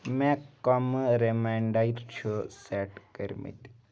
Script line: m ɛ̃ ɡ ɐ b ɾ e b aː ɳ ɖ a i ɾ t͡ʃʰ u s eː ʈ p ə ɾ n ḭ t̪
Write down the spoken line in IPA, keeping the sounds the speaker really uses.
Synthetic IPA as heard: m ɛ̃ k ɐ m ɾ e m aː ɳ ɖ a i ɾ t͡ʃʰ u s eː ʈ k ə ɾ m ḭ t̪